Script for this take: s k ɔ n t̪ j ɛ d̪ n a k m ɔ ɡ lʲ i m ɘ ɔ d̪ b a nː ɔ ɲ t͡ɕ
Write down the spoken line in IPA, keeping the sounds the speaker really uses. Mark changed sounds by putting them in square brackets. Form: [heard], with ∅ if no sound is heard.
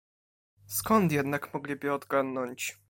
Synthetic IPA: s k ɔ n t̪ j ɛ d̪ n a k m ɔ ɡ lʲ i [b] ɘ ɔ d̪ [ɡ] a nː ɔ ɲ t͡ɕ